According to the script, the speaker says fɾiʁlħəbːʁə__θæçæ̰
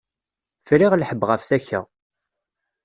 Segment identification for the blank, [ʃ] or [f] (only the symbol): f